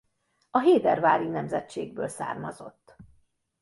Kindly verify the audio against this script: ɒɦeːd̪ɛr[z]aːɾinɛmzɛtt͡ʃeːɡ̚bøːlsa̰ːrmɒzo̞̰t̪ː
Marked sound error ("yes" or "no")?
yes